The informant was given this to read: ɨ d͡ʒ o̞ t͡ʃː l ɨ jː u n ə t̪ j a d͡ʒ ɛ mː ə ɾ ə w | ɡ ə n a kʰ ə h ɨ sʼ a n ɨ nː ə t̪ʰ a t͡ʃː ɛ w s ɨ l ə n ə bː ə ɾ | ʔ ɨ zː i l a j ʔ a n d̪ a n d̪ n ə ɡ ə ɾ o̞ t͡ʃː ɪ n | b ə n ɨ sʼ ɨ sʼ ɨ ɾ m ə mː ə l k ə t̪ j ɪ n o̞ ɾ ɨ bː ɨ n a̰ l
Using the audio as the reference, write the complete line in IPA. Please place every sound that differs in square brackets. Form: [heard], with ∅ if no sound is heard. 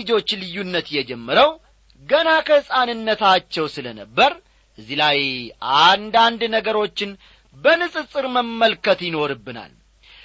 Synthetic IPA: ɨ d͡ʒ o̞ t͡ʃː l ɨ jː u [nː] ə t̪ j [ɛ] d͡ʒ ɛ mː ə ɾ ə w | ɡ ə n a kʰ ə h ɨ sʼ a n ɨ nː ə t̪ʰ a t͡ʃː ɛ w s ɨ l ə n ə bː ə ɾ | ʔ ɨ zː i l a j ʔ a n d̪ a n d̪ n ə ɡ ə ɾ o̞ t͡ʃː ɪ n | b ə n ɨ sʼ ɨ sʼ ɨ ɾ m ə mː ə l k ə t̪ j ɪ n o̞ ɾ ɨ bː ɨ n a̰ l